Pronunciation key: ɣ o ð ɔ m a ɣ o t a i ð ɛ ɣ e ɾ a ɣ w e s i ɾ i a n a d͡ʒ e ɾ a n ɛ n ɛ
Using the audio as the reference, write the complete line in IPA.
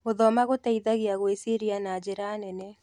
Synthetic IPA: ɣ o ð ɔ m a ɣ o t a i ð a ɣ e a ɣ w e s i ɾ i a n a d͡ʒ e ɾ a n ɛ n ɛ